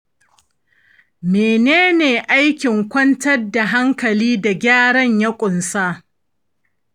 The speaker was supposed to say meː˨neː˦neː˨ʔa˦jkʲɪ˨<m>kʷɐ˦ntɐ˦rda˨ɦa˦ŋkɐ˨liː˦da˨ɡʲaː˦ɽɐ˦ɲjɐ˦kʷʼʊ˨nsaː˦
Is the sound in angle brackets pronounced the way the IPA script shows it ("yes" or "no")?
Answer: no